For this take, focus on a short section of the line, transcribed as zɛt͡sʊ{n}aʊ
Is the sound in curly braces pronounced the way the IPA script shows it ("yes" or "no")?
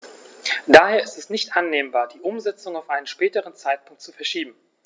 no